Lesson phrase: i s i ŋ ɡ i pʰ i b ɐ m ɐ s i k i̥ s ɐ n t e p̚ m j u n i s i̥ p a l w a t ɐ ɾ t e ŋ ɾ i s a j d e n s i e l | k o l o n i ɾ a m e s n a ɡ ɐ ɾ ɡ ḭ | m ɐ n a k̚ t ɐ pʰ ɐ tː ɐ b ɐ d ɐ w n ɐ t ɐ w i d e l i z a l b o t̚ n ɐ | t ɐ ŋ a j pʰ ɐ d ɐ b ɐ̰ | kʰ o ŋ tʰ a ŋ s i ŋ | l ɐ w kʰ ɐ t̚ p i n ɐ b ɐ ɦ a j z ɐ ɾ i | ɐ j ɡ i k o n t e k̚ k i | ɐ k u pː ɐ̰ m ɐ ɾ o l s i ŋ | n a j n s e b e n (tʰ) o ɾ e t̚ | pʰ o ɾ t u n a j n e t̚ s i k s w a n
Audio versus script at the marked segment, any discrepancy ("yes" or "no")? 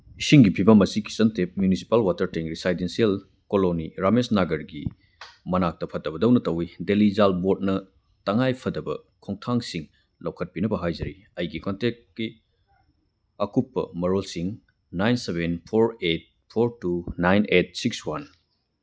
yes